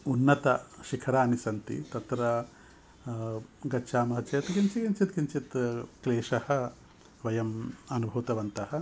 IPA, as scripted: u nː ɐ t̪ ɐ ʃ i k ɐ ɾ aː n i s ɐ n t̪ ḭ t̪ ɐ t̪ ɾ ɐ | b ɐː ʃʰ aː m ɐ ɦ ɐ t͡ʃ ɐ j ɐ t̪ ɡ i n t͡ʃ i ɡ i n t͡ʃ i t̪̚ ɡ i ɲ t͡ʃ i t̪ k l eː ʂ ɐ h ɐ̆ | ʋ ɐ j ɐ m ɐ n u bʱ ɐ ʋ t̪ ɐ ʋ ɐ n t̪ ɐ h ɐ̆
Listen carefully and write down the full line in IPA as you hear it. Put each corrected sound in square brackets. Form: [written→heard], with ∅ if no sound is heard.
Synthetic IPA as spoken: u nː ɐ t̪ ɐ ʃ i [k→kʰ] ɐ ɾ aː n i s ɐ n t̪ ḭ t̪ ɐ t̪ ɾ ɐ | [b→ɡ] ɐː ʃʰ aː m ɐ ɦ ɐ t͡ʃ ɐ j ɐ t̪ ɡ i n t͡ʃ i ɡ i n t͡ʃ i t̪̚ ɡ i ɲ t͡ʃ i t̪ k l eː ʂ ɐ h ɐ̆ | ʋ ɐ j ɐ m ɐ n u bʱ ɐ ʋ t̪ ɐ ʋ ɐ n t̪ ɐ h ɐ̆